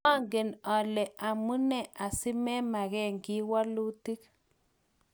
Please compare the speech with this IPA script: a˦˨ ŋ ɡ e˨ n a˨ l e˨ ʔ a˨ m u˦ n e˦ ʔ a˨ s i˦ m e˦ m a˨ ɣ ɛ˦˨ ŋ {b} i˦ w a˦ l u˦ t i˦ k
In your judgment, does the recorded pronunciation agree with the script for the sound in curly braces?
no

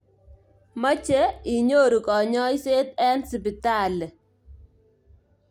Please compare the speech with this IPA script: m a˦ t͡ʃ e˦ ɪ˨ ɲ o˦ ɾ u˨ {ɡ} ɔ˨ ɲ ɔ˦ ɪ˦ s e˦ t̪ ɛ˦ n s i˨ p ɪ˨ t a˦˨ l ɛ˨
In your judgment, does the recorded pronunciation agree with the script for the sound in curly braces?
no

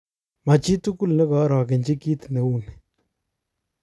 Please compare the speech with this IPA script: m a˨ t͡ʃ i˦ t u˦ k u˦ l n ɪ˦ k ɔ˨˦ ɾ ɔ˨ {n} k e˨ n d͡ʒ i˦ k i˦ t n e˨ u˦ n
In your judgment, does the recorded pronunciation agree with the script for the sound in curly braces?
no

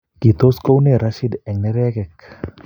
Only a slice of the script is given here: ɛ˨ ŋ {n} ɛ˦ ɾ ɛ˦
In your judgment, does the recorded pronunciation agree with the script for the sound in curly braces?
yes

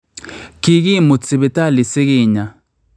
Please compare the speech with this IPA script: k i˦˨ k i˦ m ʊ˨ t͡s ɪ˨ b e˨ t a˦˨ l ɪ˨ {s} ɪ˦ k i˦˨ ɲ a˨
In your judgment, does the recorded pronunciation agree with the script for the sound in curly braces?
yes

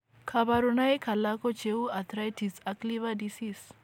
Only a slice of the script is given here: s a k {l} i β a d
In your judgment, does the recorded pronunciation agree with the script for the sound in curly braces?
yes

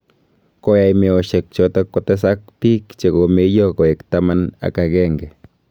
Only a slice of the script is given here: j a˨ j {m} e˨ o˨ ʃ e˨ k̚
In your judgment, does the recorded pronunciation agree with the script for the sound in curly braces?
yes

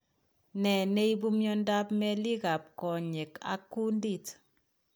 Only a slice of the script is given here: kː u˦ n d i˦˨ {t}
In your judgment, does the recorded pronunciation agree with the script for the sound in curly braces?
yes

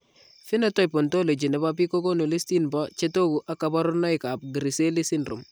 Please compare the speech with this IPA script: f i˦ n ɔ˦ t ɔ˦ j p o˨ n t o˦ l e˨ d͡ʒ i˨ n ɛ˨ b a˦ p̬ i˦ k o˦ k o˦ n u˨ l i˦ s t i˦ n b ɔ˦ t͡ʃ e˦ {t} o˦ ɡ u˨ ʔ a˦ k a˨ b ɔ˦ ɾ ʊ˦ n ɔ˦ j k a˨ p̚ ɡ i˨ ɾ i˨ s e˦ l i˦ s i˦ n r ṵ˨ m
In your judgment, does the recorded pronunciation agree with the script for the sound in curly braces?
yes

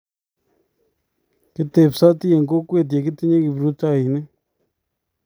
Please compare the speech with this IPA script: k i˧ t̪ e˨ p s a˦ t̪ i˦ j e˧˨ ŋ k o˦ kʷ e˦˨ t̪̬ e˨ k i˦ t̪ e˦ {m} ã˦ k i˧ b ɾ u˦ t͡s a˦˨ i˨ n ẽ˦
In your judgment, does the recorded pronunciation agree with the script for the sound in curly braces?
no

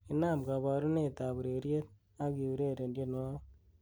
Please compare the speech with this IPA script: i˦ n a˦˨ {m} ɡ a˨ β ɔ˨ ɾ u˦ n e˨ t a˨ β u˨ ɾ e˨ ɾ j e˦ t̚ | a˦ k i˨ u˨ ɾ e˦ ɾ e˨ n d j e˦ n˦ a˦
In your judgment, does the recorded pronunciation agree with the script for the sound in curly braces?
yes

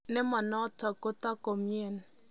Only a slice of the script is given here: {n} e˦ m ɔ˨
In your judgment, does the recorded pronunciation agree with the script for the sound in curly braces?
yes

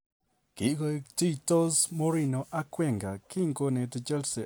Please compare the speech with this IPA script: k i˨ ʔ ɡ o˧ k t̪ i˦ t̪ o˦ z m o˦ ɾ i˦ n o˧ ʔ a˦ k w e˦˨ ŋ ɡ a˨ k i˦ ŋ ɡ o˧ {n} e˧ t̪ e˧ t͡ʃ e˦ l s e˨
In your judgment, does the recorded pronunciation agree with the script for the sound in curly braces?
yes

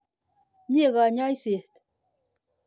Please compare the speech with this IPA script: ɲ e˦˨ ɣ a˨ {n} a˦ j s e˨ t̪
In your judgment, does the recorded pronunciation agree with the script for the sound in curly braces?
no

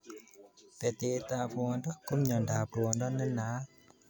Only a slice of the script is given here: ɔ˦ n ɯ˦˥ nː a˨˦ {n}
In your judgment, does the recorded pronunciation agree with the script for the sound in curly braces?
no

